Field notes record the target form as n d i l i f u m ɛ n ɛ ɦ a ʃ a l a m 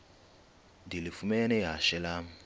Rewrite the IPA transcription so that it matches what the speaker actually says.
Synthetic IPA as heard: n d i l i f u m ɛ n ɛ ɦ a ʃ ɛ l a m